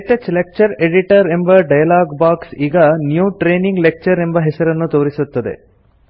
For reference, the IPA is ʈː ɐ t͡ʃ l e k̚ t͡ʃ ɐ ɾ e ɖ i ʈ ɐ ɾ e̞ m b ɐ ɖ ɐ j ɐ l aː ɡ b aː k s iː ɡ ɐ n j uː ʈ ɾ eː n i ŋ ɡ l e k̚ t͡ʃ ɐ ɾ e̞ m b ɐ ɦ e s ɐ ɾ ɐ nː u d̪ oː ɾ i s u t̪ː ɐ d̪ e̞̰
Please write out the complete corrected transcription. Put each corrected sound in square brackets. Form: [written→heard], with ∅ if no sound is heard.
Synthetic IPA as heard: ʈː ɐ t͡ʃ l e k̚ t͡ʃ ɐ ɾ e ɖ i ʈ ɐ ɾ e̞ m b ɐ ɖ ɐ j ɐ l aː ɡ b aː k s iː ɡ ɐ n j uː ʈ ɾ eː n i ŋ ɡ l e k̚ t͡ʃ ɐ ɾ e̞ m b ɐ ɦ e s ɐ ɾ ɐ nː u [d̪→t̪] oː ɾ i s u t̪ː ɐ d̪ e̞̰